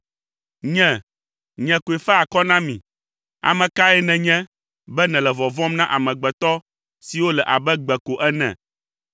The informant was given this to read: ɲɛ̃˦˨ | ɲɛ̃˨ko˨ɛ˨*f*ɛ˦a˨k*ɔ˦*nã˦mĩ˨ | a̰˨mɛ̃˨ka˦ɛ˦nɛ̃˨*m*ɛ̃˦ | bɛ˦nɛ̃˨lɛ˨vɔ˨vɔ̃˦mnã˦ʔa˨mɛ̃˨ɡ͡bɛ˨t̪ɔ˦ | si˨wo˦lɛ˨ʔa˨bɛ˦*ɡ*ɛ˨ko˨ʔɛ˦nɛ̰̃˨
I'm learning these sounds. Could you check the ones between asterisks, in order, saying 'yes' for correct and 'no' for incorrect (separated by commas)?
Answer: yes, yes, no, no